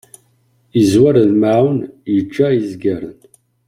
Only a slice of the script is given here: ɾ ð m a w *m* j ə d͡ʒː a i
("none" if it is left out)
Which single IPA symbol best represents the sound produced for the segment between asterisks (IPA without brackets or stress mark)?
n